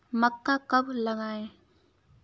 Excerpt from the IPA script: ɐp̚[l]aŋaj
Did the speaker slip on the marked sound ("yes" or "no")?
no